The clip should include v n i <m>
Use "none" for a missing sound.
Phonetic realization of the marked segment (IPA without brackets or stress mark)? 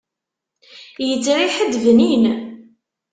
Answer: n